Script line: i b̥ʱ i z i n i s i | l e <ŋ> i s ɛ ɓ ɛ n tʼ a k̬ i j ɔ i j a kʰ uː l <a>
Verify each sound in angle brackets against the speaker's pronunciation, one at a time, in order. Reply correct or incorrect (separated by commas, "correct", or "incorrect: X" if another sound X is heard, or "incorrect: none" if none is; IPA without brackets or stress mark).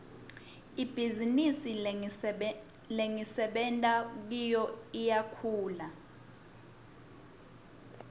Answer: correct, correct